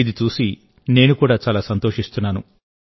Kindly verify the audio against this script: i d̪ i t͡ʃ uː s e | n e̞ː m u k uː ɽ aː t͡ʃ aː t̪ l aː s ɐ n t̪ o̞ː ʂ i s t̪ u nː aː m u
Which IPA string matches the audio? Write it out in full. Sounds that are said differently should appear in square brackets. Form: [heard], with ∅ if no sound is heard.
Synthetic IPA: i d̪ i t͡ʃ uː s [i] | n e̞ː [n] u k uː ɽ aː t͡ʃ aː [∅] l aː s ɐ n t̪ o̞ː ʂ i s t̪ u nː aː [n] u

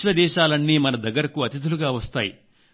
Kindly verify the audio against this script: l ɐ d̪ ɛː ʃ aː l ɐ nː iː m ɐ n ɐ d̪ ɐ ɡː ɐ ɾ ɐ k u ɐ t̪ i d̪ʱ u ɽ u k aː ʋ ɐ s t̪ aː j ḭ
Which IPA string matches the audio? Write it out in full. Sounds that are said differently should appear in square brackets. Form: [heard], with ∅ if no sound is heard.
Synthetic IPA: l ɐ d̪ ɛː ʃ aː l ɐ nː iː m ɐ n ɐ d̪ ɐ ɡː ɐ ɾ ɐ k u ɐ t̪ i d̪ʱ u [l] u [ɡ] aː ʋ ɐ s t̪ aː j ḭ

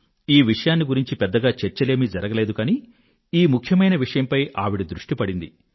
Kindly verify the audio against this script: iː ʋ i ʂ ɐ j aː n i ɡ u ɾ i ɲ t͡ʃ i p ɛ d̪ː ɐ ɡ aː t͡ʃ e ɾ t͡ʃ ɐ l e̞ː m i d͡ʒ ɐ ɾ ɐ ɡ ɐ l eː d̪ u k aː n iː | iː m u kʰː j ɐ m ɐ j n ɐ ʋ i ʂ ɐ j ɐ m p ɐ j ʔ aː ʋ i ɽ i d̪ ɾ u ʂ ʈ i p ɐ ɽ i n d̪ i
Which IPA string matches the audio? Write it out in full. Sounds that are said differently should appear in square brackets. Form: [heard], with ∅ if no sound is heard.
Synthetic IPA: iː ʋ i ʂ ɐ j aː [nː] i ɡ u ɾ i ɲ t͡ʃ i p ɛ d̪ː ɐ ɡ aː t͡ʃ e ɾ t͡ʃ ɐ l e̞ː m i d͡ʒ ɐ ɾ ɐ ɡ ɐ l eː d̪ u k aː n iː | iː m u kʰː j ɐ m ɐ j n ɐ ʋ i ʂ ɐ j ɐ m p ɐ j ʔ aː ʋ i ɽ i d̪ ɾ u ʂ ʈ i p ɐ ɽ i n d̪ i

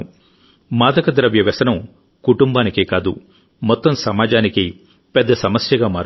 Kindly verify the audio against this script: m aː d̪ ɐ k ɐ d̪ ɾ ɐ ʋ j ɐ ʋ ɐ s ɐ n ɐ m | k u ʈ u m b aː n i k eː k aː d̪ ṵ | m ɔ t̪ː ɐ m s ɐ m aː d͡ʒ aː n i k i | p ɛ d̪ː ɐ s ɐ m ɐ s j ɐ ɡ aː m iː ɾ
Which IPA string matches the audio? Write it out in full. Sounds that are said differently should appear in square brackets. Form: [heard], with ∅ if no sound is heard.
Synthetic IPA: m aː d̪ ɐ k ɐ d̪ ɾ ɐ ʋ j ɐ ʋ ɐ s ɐ n ɐ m | k u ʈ u m b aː n i k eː k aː d̪ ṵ | m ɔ t̪ː ɐ m s ɐ m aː d͡ʒ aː n i k i | p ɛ d̪ː ɐ s ɐ m ɐ s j ɐ ɡ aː m [aː] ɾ

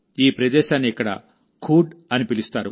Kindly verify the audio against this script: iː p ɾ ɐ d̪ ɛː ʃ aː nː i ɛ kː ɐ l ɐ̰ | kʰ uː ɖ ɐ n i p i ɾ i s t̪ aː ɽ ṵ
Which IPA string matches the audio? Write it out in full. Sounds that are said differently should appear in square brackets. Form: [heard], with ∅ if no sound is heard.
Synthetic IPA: iː p ɾ ɐ d̪ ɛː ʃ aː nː i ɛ kː ɐ [ɽ] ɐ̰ | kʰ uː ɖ ɐ n i p i [l] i s t̪ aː [ɾ] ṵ

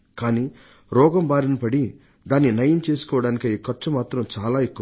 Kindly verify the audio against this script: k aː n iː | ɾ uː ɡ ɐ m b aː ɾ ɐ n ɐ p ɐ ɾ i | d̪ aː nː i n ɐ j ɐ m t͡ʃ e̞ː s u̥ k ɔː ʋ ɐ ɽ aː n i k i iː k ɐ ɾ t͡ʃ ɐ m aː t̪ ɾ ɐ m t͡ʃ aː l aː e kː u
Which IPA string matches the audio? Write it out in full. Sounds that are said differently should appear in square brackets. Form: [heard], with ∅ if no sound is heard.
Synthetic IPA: k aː n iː | ɾ [ɔː] ɡ ɐ m b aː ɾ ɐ n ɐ p ɐ [ɽ] i | d̪ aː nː i n ɐ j ɐ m t͡ʃ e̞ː s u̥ k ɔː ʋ ɐ ɽ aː n i k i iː k ɐ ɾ t͡ʃ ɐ m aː t̪ ɾ ɐ m t͡ʃ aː l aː e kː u

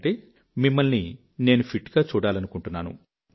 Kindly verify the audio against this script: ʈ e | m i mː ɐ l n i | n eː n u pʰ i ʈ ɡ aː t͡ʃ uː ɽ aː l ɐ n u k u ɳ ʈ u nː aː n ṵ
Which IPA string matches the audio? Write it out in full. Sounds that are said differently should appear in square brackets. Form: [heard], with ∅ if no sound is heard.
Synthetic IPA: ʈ e | m i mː ɐ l n i | n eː n u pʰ i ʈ ɡ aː t͡ʃ uː ɽ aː l ɐ n u k u ɳ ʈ u nː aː n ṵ

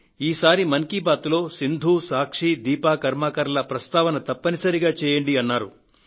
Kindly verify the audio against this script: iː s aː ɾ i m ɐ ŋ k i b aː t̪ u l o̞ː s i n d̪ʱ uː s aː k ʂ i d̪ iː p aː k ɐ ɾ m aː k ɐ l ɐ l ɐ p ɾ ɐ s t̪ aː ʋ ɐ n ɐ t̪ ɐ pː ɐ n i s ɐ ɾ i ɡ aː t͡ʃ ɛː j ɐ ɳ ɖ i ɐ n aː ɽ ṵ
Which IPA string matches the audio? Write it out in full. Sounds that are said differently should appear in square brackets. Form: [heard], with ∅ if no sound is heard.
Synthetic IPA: iː s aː ɾ i m ɐ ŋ k i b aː t̪ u l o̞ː s i n d̪ʱ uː s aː k ʂ i d̪ iː p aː k ɐ ɾ m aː k ɐ [ɾ] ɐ l ɐ p ɾ ɐ s t̪ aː ʋ ɐ n ɐ t̪ ɐ pː ɐ n i s ɐ ɾ i ɡ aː t͡ʃ ɛː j ɐ ɳ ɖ i ɐ [nː] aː [ɾ] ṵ

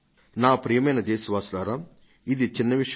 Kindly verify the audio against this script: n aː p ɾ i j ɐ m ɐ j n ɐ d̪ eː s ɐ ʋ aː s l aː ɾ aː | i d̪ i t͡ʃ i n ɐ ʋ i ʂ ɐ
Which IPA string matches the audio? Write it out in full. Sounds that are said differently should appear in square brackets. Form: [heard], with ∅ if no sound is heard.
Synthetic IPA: n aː p ɾ i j ɐ m ɐ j n ɐ d̪ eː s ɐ ʋ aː s l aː ɾ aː | i d̪ i t͡ʃ i [nː] ɐ ʋ i ʂ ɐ

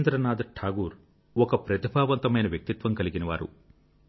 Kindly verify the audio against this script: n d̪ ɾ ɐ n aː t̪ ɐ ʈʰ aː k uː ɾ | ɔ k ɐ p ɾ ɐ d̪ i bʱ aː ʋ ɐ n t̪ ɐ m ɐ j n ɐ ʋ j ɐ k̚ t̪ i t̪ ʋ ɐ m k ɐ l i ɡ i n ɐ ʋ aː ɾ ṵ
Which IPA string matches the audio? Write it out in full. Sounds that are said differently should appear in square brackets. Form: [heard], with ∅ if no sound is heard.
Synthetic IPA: n d̪ ɾ ɐ n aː [d̪] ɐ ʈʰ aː [ɡ] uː ɾ | ɔ k ɐ p ɾ ɐ [t̪] i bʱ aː ʋ ɐ n t̪ ɐ m ɐ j n ɐ ʋ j ɐ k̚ t̪ i t̪ ʋ ɐ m k ɐ l i ɡ i n ɐ ʋ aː ɾ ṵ

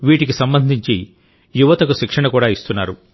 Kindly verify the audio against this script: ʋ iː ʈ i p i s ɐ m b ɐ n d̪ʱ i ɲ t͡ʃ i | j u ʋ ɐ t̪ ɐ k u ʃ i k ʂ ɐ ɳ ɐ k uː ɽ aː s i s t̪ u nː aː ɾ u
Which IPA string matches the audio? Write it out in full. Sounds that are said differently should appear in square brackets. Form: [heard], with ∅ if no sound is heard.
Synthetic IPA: ʋ iː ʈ i [k] i s ɐ m b ɐ n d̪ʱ i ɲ t͡ʃ i | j u ʋ ɐ t̪ ɐ k u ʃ i k ʂ ɐ ɳ ɐ k uː ɽ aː [∅] i s t̪ u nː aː ɾ u

